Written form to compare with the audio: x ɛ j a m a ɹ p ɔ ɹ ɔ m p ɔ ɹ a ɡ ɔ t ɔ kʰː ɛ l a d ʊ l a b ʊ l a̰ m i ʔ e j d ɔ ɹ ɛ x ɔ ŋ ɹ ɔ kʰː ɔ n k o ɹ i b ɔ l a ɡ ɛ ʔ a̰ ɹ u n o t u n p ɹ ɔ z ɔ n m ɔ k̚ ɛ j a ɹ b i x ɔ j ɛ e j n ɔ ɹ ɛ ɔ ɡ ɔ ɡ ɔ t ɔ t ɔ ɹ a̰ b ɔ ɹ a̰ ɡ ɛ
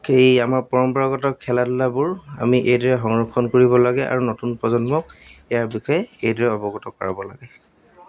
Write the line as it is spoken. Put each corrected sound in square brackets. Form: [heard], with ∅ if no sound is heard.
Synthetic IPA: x [e] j a m a ɹ p ɔ ɹ ɔ m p ɔ ɹ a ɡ ɔ t ɔ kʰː ɛ l a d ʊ l a b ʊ [ɹ] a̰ m i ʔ e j d ɔ ɹ ɛ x ɔ ŋ ɹ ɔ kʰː ɔ n k o ɹ i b ɔ l a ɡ ɛ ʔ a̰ ɹ u n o t u n p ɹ ɔ z ɔ n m ɔ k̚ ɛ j a ɹ b i x ɔ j ɛ e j [d] ɔ ɹ ɛ ɔ [b] ɔ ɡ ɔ t ɔ [k] ɔ ɹ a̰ b ɔ [l] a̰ ɡ ɛ

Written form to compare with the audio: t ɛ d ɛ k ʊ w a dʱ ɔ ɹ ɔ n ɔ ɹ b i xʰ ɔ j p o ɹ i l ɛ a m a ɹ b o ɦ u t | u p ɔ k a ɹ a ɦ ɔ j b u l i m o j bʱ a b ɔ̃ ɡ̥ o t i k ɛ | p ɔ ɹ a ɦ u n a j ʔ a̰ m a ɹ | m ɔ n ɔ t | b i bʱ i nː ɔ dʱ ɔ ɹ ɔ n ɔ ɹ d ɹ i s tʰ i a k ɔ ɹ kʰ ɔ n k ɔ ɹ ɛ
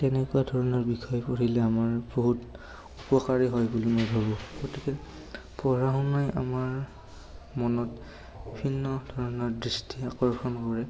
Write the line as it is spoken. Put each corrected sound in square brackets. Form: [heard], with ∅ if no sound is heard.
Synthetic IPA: t ɛ [n] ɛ k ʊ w a dʱ ɔ ɹ ɔ n ɔ ɹ b i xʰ ɔ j p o ɹ i l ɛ a m a ɹ b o ɦ u t | u p ɔ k a ɹ [i] ɦ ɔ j b u l i m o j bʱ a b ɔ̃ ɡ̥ o t i k ɛ | p ɔ ɹ a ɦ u n a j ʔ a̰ m a ɹ | m ɔ n ɔ t | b i bʱ i nː ɔ dʱ ɔ ɹ ɔ n ɔ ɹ d ɹ i s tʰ i a k ɔ ɹ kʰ ɔ n k ɔ ɹ ɛ

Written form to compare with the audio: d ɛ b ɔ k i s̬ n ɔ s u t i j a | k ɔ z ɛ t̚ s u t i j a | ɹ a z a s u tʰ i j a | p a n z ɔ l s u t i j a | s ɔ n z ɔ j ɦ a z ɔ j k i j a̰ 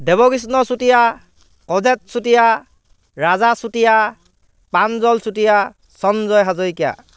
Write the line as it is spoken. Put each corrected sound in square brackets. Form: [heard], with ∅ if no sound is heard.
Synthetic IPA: d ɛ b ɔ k i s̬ n ɔ s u t i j a | k ɔ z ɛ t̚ s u t i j a | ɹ a z a s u [t] i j a | p a n z ɔ l s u t i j a | s ɔ n z ɔ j ɦ a z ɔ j k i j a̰

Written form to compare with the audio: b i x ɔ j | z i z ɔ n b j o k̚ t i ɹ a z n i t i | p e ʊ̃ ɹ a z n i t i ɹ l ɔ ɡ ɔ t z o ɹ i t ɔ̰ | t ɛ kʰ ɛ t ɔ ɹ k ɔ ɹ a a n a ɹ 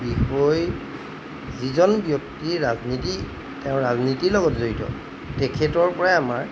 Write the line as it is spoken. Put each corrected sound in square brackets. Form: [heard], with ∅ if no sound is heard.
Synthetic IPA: b i x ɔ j | z i z ɔ n b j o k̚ t i ɹ a z n i t i | [t] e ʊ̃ ɹ a z n i t i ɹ l ɔ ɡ ɔ t z o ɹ i t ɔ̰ | t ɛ kʰ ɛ t ɔ ɹ [p] ɔ ɹ a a [m] a ɹ

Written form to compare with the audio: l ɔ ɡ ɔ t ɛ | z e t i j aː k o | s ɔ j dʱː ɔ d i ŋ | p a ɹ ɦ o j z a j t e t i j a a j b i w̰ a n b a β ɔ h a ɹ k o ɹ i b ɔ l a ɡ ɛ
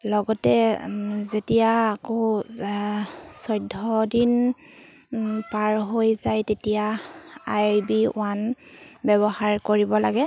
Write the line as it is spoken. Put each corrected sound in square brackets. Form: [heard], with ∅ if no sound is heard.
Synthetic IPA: l ɔ ɡ ɔ t ɛ | z e t i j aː k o | s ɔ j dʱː ɔ d i [n] | p a ɹ ɦ o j z a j t e t i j a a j b i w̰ a n b [ɛ] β ɔ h a ɹ k o ɹ i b ɔ l a ɡ ɛ

